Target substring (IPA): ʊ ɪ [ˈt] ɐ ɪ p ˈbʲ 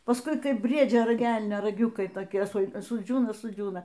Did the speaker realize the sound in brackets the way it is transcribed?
no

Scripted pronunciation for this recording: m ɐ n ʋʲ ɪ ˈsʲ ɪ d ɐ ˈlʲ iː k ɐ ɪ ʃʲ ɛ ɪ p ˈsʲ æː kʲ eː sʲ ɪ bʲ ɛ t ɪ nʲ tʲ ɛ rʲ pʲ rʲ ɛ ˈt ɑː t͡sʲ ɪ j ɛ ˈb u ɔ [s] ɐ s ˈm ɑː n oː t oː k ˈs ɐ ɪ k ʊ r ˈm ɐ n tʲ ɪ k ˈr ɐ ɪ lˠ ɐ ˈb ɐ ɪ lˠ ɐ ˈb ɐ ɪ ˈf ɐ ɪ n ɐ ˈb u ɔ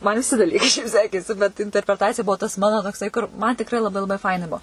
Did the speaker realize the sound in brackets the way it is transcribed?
no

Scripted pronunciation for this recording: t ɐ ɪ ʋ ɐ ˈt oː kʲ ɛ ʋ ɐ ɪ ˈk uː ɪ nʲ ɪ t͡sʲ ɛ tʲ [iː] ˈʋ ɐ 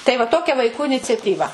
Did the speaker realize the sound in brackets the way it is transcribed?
yes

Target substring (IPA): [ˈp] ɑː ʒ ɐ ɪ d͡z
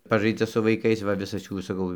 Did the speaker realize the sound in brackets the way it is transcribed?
yes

